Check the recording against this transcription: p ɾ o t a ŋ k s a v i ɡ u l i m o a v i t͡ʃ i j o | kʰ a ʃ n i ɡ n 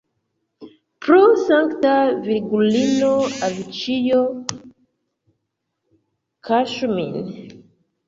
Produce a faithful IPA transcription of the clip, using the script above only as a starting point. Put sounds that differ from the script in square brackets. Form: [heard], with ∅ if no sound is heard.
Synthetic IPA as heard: p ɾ o [s] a ŋ k [t] a v i ɡ u l i [n] o a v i t͡ʃ i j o | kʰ a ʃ [m] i [∅] n